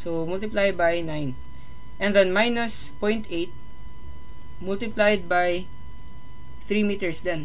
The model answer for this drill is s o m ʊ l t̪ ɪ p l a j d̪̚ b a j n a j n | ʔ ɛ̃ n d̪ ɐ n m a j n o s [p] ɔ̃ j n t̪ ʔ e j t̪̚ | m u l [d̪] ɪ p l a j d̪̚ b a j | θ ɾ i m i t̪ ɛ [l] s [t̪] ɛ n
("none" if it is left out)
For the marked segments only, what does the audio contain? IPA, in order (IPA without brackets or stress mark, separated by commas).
p, t̪, ɹ, d̪